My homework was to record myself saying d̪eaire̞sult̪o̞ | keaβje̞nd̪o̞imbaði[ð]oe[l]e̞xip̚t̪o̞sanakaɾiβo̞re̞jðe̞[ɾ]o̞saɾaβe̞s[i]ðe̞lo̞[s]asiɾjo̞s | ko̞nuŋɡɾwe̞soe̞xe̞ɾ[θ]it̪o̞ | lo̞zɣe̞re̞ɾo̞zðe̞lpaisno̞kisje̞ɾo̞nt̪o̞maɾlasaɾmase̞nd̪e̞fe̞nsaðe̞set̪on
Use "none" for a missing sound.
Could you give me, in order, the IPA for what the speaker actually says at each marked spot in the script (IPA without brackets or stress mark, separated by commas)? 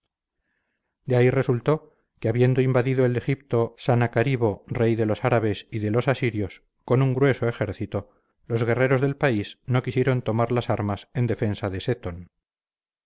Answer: ð, l, l, i, s, θ